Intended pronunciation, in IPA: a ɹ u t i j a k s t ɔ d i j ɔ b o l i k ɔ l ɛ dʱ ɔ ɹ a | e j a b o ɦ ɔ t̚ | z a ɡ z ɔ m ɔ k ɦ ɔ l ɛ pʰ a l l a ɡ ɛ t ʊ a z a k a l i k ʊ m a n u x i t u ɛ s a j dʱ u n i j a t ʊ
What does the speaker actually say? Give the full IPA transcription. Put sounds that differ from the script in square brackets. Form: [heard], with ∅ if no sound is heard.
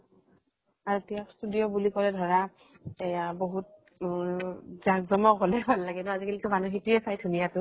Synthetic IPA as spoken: a ɹ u t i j a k s t [u] d i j ɔ b [u] l i k ɔ l ɛ dʱ ɔ ɹ a | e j a b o ɦ [u] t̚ | z a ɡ z ɔ m ɔ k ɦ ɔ l ɛ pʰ a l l a ɡ ɛ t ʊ a z [i] k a l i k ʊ m a n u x i t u ɛ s a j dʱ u n i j a t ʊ